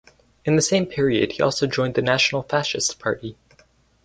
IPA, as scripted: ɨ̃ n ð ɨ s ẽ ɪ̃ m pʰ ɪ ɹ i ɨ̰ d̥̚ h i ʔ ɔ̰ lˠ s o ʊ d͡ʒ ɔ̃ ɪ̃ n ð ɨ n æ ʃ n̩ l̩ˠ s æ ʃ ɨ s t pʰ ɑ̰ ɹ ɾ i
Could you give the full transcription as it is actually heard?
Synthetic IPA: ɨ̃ n ð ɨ s ẽ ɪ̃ m pʰ ɪ ɹ i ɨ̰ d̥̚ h i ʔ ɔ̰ lˠ s o ʊ d͡ʒ ɔ̃ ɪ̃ n ð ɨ n æ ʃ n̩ l̩ˠ f æ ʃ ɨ s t pʰ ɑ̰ ɹ ɾ i